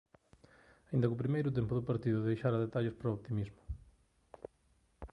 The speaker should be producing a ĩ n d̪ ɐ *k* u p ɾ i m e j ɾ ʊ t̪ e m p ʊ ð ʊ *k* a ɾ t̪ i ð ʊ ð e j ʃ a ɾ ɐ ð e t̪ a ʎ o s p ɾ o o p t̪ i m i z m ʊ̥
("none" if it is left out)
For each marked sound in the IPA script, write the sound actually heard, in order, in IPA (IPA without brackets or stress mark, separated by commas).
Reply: k, p